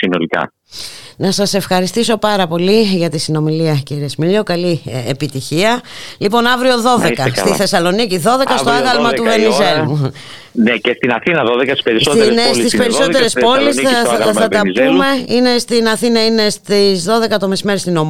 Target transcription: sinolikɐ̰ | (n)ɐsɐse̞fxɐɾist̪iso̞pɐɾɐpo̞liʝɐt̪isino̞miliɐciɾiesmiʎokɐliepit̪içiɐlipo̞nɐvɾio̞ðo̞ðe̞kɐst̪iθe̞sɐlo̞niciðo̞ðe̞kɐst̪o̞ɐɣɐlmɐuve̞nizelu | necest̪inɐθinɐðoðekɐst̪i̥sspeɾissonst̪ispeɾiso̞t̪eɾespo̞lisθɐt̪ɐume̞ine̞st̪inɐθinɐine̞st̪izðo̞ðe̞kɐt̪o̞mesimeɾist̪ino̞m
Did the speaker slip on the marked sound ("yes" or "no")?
no